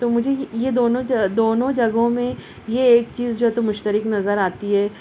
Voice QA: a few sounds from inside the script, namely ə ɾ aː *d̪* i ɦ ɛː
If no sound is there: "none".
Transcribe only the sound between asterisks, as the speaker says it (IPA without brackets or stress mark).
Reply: t̪